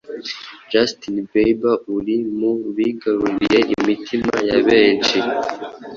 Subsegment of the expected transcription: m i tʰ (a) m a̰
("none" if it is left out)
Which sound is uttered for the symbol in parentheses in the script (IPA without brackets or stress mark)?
i